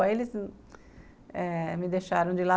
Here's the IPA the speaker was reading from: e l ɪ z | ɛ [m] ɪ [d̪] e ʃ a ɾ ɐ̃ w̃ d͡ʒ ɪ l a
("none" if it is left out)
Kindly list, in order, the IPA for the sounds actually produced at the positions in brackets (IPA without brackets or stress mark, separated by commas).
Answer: m, d̪